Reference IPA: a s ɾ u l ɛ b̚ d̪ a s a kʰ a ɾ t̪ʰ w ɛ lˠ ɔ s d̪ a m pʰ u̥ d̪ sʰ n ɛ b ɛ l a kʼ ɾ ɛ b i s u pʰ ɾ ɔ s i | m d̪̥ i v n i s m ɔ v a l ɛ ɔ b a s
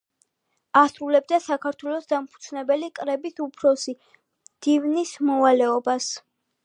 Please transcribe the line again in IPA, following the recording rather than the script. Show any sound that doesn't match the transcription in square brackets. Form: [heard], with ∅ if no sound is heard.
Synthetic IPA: a s ɾ u l ɛ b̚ d̪ a s a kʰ a ɾ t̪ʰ w ɛ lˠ ɔ s d̪ a m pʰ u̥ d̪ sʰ n ɛ b ɛ l [i] kʼ ɾ ɛ b i s u pʰ ɾ ɔ s i | m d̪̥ i v n i s m ɔ v a l ɛ ɔ b a s